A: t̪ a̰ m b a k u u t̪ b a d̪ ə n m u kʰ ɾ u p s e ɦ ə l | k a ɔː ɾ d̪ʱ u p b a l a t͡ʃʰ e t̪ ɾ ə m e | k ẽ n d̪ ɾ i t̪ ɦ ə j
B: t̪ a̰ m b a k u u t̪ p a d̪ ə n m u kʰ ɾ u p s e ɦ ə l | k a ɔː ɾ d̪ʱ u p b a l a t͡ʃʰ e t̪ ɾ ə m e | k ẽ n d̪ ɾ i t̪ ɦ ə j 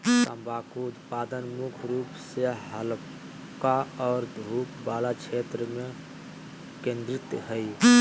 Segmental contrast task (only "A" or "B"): B